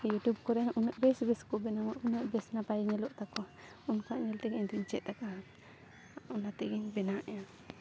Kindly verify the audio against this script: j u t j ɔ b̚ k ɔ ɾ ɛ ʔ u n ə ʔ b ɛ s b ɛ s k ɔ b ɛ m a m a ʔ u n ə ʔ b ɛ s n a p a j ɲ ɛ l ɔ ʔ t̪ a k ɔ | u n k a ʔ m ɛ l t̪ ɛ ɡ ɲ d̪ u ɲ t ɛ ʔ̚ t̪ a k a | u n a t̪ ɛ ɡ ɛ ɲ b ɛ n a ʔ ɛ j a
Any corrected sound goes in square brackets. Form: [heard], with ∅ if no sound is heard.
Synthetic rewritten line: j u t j [u] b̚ k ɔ ɾ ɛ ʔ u n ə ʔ b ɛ s b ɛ s k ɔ b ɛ [n] a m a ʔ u n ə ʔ b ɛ s n a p a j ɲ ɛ l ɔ ʔ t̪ a k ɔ | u n k a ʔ [ɲ] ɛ l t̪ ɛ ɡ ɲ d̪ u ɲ [t͡ʃ] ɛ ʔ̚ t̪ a k a | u n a t̪ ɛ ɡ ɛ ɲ b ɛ n a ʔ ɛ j a